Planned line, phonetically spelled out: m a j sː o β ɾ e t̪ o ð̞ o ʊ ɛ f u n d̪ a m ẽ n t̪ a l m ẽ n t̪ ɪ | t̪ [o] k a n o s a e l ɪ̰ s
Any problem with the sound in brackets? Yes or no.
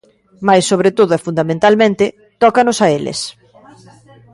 yes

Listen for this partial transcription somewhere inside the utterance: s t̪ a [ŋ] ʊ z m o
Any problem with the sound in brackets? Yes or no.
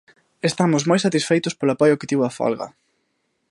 yes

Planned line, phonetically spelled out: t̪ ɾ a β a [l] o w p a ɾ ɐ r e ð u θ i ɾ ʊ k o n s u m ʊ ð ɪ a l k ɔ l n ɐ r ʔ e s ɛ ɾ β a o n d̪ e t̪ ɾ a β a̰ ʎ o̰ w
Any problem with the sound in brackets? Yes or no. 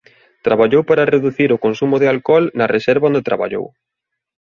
yes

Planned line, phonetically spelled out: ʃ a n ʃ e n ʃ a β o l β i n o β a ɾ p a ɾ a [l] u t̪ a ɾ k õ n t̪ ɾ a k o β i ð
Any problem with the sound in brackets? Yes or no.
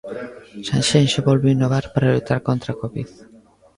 no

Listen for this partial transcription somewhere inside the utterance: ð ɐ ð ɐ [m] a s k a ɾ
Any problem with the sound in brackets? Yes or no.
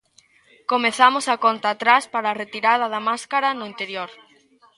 no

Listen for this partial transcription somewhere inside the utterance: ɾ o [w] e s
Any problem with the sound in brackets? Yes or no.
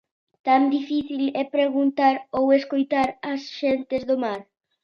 no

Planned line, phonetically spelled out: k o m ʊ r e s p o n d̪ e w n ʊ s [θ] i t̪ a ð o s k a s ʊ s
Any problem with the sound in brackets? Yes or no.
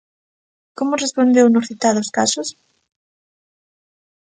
no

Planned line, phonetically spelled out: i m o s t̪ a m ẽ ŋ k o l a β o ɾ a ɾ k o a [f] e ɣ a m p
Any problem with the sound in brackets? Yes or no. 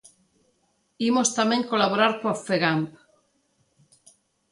no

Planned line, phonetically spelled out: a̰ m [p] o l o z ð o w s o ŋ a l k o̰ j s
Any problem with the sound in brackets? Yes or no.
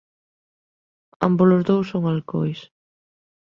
yes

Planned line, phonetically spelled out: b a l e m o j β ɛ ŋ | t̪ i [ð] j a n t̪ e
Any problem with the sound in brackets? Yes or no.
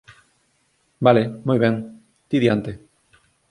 no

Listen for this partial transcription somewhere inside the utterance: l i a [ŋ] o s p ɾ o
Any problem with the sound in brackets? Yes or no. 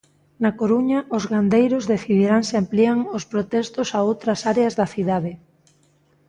no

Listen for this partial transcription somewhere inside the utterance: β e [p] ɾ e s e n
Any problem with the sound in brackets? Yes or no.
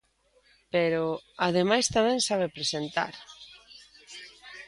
no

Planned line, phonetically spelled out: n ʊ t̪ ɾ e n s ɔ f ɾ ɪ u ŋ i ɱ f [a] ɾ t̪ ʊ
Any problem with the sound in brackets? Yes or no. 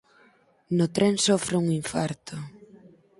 no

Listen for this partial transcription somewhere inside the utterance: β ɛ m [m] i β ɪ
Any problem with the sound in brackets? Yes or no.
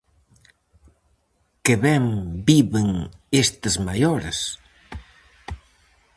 yes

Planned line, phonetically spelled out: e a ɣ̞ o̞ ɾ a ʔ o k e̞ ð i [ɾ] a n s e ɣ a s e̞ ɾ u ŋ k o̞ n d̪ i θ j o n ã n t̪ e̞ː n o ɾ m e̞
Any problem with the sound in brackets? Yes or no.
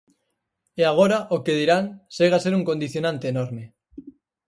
no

